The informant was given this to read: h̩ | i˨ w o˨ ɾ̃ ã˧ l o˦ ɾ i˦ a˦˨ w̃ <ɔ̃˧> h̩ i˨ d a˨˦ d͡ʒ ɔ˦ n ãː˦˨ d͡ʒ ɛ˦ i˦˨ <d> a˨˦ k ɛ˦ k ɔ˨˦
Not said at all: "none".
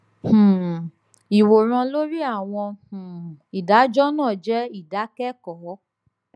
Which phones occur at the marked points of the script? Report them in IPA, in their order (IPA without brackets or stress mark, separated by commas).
ɔ̃˧, d